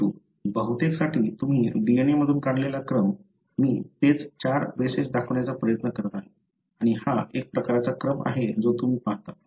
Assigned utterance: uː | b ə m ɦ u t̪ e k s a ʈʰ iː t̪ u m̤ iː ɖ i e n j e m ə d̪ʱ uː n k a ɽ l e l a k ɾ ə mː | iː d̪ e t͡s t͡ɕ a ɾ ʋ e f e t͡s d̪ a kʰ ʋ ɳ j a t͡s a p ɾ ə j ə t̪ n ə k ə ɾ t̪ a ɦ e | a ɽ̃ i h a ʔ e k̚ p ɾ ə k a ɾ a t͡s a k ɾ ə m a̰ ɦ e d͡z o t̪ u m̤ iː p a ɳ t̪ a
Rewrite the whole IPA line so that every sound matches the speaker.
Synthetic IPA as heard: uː | b ə ɦ u t̪ e k s a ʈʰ iː t̪ u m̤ iː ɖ i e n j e m ə d̪ʱ uː n k a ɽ l e l a k ɾ ə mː | iː t̪ e t͡s t͡ɕ a ɾ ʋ e s e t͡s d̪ a kʰ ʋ ɳ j a t͡s a p ɾ ə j ə t̪ n ə k ə ɾ t̪ a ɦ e | a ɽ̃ i h a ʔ e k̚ p ɾ ə k a ɾ a t͡s a k ɾ ə m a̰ ɦ e d͡z o t̪ u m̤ iː p a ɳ t̪ a